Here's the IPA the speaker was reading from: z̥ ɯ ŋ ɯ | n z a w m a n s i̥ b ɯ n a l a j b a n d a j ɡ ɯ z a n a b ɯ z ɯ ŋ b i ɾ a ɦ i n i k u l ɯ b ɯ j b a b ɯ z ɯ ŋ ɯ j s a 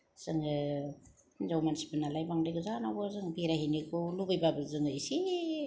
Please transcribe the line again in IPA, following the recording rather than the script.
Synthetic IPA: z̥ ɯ ŋ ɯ | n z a w m a n s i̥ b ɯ n a l a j b a ŋ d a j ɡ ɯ z a n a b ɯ z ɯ ŋ b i ɾ a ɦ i n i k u l u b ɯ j b a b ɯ z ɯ ŋ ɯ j s i